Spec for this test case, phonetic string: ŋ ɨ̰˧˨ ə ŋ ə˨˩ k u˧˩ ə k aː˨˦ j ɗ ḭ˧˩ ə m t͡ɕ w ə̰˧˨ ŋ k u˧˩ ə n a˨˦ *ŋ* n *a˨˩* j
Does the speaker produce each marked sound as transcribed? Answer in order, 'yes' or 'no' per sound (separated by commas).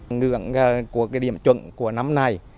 no, yes